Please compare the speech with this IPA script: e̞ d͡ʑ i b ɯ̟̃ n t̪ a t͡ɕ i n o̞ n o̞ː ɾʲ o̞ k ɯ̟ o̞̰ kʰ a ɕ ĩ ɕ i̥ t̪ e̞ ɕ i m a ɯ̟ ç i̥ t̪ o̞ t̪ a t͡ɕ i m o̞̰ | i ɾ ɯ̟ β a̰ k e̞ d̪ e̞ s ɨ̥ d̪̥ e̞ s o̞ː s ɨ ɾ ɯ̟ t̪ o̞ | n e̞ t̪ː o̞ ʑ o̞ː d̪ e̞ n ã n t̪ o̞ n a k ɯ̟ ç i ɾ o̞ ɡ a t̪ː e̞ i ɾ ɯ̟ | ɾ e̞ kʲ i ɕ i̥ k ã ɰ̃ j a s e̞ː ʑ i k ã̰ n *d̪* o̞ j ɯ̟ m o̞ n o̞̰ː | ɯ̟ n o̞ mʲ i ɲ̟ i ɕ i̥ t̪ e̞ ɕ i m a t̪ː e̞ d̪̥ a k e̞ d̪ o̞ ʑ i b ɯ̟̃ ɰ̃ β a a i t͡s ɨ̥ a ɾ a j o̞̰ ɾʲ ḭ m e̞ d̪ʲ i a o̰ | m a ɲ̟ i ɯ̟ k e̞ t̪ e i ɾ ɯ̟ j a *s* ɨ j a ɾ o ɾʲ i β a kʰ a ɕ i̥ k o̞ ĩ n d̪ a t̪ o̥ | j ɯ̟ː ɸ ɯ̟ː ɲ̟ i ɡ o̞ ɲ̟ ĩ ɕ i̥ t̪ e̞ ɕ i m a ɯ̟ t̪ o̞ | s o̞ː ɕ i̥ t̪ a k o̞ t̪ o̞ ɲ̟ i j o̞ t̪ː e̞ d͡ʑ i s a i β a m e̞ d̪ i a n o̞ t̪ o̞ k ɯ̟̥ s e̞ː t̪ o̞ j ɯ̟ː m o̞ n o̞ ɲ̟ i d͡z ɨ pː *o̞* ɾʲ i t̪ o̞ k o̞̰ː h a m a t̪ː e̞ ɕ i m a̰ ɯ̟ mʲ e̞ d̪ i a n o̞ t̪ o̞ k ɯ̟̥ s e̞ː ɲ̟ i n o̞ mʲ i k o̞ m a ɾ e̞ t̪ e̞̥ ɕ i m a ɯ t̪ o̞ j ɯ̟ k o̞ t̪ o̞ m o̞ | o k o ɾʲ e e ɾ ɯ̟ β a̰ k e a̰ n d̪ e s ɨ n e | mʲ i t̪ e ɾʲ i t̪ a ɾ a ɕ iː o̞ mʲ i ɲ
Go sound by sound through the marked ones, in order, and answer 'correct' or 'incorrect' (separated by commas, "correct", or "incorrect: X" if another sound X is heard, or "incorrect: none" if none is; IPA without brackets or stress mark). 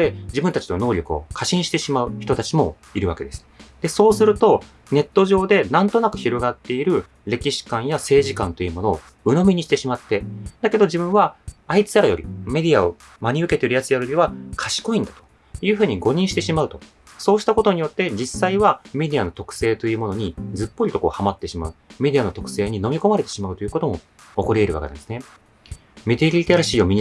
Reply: incorrect: t̪, incorrect: t͡s, correct